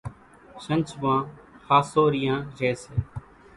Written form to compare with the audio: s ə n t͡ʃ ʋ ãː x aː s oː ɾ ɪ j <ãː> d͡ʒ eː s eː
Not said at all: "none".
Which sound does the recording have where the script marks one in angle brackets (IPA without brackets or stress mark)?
ãː